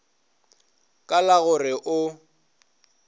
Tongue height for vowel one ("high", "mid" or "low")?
low